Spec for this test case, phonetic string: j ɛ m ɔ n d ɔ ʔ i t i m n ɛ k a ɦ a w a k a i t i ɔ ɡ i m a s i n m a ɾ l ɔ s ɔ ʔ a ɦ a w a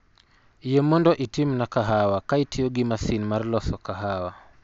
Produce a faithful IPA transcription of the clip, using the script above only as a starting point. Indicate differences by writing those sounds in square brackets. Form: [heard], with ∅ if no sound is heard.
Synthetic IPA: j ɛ m ɔ n d ɔ ʔ i t i m n [a] k a ɦ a w a k a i t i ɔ ɡ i m a s i n m a ɾ l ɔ s ɔ [k] a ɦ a w a